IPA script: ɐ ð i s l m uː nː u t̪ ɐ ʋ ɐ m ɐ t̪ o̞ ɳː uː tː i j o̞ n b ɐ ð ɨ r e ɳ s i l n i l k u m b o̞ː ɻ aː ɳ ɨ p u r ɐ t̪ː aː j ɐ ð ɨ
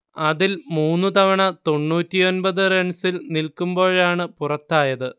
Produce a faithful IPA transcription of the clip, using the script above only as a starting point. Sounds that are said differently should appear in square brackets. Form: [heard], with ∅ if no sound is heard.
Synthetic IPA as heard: ɐ ð i [∅] l m uː nː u t̪ ɐ ʋ ɐ [ɳ] ɐ t̪ o̞ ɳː uː tː i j o̞ n b ɐ ð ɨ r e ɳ s i l n i l k u m b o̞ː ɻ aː ɳ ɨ p u r ɐ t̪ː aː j ɐ ð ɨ